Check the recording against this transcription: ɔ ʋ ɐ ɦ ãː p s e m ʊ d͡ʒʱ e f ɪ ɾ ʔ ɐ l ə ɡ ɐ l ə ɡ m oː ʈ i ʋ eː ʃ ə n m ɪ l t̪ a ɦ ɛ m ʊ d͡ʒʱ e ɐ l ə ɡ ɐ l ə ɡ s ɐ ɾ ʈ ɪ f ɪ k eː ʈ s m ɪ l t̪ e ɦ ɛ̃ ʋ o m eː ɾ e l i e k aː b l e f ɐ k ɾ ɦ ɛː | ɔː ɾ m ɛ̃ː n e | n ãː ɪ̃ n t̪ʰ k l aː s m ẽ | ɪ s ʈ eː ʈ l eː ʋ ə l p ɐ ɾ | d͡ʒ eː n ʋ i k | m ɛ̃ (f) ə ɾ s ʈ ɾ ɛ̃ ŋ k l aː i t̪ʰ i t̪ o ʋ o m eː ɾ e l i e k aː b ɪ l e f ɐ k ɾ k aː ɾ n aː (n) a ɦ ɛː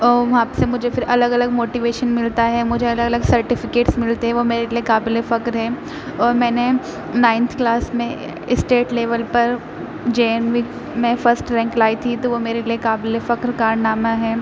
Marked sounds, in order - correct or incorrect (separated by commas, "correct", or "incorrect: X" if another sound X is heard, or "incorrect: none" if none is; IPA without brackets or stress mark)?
correct, incorrect: m